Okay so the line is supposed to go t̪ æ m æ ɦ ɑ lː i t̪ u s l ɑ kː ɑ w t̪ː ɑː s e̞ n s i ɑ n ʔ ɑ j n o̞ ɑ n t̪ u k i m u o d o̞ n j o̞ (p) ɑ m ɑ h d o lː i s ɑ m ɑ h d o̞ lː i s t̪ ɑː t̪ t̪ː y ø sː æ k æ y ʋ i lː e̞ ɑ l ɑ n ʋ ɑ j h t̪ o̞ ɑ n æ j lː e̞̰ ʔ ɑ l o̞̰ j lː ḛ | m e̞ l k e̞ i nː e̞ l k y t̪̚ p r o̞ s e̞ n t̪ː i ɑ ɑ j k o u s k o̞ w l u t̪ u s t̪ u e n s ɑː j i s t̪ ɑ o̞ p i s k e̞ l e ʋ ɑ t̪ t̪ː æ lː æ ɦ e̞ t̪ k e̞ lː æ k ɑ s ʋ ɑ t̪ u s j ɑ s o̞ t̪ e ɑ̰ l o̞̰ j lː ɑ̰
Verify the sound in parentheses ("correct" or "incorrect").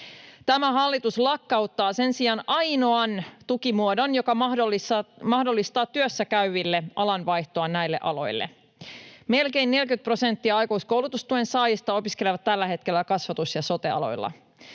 incorrect